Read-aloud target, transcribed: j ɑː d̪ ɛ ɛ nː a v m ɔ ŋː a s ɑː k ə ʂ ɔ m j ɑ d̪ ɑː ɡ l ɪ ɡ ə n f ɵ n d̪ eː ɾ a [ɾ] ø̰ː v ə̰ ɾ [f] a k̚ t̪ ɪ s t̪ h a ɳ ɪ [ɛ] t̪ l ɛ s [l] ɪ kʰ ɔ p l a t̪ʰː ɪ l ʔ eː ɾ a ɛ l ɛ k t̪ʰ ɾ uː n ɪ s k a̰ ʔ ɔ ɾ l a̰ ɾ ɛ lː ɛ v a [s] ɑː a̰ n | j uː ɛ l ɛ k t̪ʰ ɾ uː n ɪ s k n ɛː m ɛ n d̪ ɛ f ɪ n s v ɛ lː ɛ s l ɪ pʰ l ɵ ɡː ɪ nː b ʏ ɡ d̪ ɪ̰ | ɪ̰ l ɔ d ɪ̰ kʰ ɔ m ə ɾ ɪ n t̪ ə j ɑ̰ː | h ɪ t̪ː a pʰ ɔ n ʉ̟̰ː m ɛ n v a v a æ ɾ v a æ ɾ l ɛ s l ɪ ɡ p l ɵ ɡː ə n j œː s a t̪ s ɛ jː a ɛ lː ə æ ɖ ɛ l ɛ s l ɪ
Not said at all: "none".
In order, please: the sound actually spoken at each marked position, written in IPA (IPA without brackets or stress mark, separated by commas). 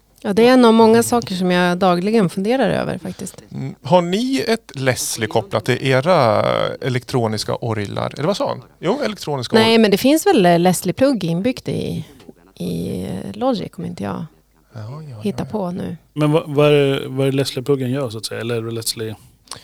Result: ɾ, f, ɛ, l, s